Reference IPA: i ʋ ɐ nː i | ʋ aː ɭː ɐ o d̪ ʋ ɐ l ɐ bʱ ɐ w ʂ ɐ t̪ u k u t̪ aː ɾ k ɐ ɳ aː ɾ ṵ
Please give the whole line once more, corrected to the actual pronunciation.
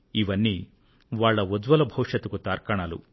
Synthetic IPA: i ʋ ɐ nː i | ʋ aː ɭː ɐ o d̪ ʋ ɐ l ɐ bʱ ɐ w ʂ ɐ t̪ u k u t̪ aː ɾ k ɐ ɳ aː l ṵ